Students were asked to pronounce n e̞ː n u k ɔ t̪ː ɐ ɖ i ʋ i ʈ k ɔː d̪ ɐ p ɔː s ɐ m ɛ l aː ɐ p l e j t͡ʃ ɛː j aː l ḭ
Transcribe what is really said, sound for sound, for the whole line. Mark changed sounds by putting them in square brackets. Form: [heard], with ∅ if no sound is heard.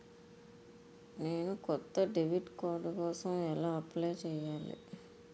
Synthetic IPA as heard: n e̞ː n u k ɔ t̪ː ɐ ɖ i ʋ i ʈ k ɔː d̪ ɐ [k] ɔː s ɐ m ɛ l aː ɐ p l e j t͡ʃ ɛː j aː l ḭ